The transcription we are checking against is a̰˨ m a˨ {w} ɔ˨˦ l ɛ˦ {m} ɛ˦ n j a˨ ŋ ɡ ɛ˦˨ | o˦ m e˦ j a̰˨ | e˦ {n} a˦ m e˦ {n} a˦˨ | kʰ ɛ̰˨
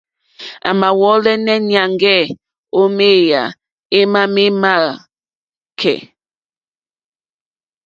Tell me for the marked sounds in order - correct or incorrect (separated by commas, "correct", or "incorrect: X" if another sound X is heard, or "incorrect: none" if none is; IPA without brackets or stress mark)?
correct, incorrect: n, incorrect: m, incorrect: m